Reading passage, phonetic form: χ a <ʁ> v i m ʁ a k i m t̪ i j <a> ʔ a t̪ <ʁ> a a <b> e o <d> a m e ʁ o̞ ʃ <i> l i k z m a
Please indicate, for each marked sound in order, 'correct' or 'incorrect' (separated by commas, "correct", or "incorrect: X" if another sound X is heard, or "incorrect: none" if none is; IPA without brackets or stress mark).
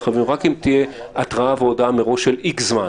incorrect: none, incorrect: e, correct, incorrect: v, correct, incorrect: e